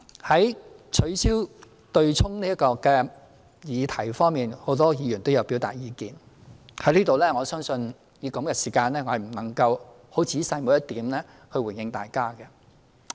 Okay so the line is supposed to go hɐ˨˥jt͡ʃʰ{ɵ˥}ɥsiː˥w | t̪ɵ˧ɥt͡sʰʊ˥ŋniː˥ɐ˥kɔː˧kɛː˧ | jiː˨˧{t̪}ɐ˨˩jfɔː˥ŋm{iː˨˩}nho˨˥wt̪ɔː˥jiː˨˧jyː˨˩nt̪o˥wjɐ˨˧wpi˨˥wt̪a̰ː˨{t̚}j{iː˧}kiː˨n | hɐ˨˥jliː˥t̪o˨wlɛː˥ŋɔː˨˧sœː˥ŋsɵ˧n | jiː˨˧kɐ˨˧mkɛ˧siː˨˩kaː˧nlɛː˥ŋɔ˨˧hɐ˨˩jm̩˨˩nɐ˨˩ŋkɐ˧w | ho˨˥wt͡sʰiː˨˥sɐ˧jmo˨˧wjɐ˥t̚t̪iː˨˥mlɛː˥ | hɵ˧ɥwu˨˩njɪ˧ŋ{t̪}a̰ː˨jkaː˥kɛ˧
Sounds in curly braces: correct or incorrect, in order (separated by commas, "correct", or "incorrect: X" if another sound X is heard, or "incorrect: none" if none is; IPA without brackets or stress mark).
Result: incorrect: ɵ˨˧, incorrect: t̪ʰ, correct, correct, correct, correct